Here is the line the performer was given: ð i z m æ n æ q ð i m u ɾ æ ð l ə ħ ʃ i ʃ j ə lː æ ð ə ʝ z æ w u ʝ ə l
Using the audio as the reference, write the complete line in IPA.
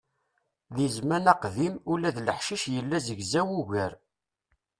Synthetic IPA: ð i z m æ n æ q ð i m u l æ ð l ə ħ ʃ i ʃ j ə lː æ z ə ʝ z æ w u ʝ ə ɾ